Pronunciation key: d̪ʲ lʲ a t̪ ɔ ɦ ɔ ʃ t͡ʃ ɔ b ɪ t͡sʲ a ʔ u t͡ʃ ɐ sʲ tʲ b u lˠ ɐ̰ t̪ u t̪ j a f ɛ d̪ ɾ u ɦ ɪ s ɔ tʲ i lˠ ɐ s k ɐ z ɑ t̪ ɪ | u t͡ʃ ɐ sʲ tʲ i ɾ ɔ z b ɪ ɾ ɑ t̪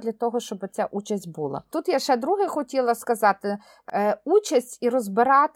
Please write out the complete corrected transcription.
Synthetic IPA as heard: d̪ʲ lʲ ɐ t̪ ɔ ɦ ɔ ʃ t͡ʃ ɔ b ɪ t͡sʲ a ʔ u t͡ʃ ɐ sʲ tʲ b u lˠ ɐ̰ t̪ u t̪ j a ʃ ɛ d̪ ɾ u ɦ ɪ x ɔ tʲ i lˠ ɐ s k ɐ z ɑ t̪ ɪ | u t͡ʃ ɐ sʲ tʲ i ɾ ɔ z b ɪ ɾ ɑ t̪